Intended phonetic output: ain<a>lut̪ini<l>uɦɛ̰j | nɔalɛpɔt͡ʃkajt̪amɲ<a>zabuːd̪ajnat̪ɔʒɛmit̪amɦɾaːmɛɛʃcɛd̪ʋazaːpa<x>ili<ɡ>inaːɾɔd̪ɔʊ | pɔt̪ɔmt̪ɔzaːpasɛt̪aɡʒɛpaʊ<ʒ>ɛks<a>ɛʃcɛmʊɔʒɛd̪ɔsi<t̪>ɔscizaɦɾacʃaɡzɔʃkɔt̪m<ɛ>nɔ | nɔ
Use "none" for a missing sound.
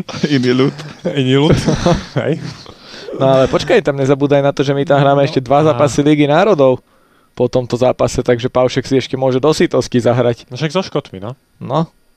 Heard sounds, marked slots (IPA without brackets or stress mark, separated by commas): i, l, ɛ, s, ɡ, ʃ, i, t̪, i